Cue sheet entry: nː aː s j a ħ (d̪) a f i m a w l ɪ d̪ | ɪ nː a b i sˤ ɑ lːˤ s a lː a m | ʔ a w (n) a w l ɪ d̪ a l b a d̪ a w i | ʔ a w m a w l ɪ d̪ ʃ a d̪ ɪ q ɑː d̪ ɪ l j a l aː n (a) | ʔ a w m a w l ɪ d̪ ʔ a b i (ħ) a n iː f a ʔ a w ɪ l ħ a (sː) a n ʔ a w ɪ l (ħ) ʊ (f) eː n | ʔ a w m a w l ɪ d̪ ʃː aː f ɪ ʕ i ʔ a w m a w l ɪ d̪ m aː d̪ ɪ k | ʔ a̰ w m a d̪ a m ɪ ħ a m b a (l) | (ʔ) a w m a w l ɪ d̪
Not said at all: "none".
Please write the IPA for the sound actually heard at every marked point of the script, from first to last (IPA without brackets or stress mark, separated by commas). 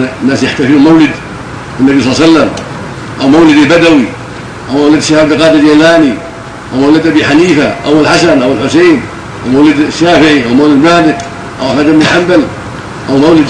t̪, m, i, ħ, s, ħ, s, l, ʔ